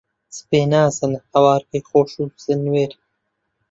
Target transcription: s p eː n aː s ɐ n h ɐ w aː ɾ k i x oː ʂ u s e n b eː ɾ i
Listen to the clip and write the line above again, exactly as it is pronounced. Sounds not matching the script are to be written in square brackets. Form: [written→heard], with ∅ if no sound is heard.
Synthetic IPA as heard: s p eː n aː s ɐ n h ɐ w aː ɾ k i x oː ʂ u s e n [b→w] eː ɾ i